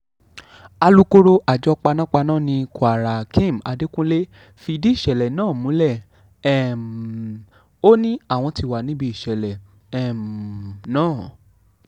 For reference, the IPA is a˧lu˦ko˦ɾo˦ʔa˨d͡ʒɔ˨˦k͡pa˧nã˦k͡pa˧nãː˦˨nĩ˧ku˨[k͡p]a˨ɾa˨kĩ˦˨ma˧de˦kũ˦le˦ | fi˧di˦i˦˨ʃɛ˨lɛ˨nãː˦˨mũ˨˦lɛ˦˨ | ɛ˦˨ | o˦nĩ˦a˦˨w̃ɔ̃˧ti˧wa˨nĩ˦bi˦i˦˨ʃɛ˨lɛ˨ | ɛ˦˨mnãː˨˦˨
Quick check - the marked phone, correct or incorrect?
incorrect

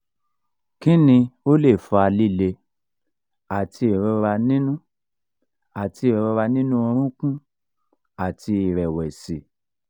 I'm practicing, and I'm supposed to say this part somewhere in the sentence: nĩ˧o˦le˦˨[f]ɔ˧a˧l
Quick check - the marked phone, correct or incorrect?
correct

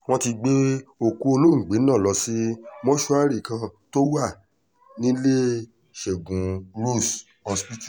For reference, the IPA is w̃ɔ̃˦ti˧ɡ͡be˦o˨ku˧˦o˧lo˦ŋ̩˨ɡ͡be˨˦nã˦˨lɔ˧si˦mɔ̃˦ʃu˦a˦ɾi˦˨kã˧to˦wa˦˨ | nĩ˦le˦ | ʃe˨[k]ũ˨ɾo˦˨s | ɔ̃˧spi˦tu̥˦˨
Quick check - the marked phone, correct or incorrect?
incorrect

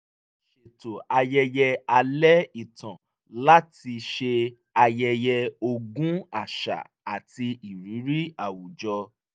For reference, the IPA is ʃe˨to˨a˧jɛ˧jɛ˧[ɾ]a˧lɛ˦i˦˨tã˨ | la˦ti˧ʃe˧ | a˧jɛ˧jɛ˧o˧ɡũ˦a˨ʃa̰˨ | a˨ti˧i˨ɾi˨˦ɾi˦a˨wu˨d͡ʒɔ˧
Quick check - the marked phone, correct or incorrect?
incorrect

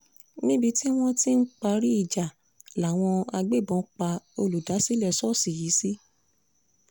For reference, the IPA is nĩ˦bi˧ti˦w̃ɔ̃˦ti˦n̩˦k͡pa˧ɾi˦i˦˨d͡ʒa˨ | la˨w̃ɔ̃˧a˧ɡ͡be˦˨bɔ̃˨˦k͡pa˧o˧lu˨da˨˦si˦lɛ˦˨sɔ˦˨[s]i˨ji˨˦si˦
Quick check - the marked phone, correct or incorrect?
correct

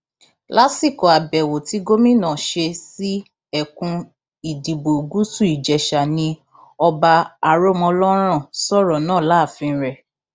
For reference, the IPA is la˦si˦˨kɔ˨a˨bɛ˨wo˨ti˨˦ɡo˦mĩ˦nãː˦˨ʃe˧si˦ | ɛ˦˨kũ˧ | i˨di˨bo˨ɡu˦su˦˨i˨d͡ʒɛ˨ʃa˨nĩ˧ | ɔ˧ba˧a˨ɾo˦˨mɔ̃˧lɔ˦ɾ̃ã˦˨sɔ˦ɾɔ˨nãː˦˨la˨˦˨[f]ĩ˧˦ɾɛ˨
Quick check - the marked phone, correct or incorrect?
correct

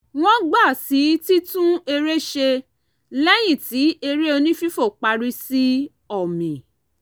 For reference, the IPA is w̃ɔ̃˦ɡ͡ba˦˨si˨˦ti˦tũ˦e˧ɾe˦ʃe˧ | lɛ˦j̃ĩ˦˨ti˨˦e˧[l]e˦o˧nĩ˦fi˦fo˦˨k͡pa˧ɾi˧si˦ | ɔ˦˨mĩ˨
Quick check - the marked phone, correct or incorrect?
incorrect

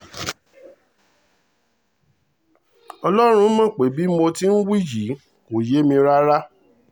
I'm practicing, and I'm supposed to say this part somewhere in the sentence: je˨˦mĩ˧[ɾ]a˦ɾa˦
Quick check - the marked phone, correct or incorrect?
correct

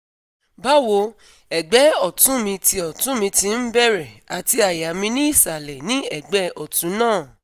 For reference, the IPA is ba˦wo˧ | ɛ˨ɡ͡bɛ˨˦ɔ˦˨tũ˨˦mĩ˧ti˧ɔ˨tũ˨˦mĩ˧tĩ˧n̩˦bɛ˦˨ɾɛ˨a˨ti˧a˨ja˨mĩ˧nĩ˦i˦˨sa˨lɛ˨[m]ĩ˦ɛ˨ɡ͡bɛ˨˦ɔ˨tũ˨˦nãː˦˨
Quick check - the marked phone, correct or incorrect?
incorrect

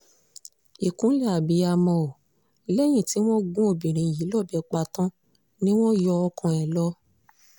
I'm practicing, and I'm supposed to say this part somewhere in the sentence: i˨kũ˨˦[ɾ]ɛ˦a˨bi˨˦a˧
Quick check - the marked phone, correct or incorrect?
incorrect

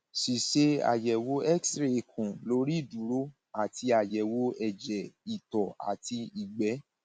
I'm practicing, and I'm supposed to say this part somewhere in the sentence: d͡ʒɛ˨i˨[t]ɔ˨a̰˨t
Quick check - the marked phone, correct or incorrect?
correct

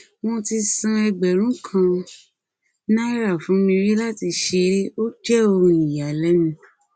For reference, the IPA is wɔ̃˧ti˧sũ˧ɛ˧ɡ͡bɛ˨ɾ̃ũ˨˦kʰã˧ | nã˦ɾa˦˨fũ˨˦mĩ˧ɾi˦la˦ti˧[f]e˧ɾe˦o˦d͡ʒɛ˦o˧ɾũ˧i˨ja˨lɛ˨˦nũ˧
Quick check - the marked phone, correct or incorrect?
incorrect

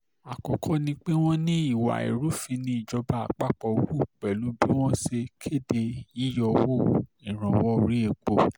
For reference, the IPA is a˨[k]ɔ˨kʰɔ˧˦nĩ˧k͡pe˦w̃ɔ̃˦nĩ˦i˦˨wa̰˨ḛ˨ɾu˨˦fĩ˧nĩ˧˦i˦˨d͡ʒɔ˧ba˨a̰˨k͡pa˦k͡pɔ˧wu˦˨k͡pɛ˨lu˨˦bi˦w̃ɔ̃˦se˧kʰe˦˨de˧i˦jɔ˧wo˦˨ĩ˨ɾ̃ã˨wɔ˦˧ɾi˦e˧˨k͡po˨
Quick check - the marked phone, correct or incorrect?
correct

